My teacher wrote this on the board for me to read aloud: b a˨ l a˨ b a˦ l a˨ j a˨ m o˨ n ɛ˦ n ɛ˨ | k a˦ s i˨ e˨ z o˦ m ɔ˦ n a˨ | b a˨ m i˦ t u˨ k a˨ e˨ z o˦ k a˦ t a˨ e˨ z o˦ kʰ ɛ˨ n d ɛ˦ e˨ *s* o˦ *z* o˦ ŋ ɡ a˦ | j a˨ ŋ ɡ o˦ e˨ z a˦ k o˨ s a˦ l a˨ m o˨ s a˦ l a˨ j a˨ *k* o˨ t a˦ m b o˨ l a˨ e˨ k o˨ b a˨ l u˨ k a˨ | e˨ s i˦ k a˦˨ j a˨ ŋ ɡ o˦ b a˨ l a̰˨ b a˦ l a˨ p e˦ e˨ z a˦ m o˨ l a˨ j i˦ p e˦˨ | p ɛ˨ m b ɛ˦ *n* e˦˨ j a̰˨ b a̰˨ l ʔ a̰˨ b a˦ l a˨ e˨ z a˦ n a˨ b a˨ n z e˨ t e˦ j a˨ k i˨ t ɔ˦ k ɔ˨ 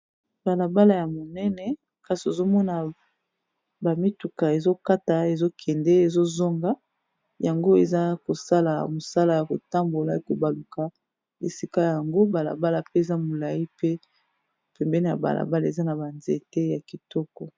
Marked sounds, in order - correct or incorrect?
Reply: incorrect, correct, correct, correct

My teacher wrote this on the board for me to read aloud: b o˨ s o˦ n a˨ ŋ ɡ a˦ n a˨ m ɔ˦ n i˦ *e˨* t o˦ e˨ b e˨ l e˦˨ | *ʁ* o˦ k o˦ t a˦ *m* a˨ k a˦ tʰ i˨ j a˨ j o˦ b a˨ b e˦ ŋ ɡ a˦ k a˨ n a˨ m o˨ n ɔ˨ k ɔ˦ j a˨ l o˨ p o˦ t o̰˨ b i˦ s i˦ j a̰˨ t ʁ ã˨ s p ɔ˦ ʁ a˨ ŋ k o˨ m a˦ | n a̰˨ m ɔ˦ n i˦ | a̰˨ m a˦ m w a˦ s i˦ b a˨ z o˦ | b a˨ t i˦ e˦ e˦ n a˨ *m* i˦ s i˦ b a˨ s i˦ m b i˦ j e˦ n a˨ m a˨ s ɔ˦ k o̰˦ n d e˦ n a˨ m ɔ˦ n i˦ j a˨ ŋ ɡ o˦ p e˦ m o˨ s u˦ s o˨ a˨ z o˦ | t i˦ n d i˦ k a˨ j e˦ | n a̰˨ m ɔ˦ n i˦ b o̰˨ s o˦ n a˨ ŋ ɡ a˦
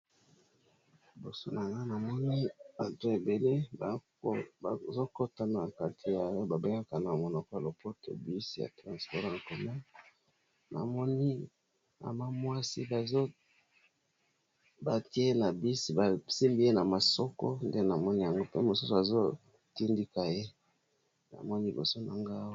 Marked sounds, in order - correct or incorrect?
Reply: incorrect, incorrect, incorrect, incorrect

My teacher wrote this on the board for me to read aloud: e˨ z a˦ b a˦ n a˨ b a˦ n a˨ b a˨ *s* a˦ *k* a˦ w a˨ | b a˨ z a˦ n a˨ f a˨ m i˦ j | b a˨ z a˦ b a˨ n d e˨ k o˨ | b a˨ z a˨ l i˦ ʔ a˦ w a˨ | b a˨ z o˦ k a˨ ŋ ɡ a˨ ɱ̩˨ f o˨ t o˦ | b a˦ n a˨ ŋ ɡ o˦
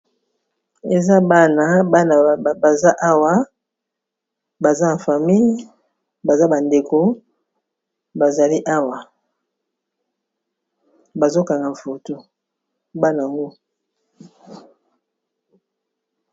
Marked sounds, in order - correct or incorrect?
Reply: incorrect, incorrect

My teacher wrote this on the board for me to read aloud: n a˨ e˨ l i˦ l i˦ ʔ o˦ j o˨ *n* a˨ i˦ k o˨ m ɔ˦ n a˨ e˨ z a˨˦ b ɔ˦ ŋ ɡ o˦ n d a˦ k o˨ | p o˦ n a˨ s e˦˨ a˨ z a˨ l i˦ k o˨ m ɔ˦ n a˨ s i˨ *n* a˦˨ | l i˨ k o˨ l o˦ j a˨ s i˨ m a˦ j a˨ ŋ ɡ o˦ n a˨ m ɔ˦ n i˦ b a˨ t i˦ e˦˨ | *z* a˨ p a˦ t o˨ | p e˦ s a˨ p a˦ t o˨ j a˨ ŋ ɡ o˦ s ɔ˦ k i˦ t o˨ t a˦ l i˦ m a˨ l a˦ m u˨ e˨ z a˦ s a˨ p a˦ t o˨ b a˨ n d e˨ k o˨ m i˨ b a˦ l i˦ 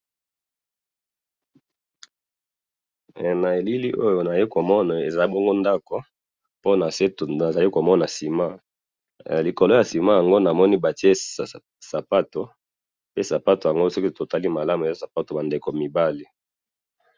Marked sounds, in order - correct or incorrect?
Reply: correct, incorrect, incorrect

